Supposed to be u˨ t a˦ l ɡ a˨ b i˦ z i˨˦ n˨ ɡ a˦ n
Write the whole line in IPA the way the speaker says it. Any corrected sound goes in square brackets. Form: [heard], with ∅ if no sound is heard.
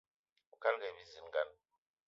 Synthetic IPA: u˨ [k] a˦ l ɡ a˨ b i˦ z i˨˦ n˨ ɡ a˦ n